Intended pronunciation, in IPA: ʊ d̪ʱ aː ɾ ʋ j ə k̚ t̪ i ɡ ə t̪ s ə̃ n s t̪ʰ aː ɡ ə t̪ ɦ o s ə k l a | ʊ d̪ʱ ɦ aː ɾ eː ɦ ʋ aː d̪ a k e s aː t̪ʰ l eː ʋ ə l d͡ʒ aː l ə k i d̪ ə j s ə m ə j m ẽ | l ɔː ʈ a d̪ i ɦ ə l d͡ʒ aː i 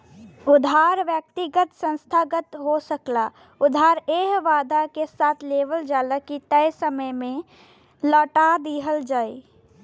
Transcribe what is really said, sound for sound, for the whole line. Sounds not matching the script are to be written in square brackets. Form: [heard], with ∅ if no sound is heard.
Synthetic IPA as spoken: ʊ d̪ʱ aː ɾ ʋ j ə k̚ t̪ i ɡ ə t̪ s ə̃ n s t̪ʰ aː ɡ ə t̪ ɦ o s ə k l a | ʊ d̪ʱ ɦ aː ɾ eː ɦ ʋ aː d̪ a k e s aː t̪ʰ l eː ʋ ə l d͡ʒ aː l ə k i [t̪] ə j s ə m ə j m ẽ | l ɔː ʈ a d̪ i ɦ ə l d͡ʒ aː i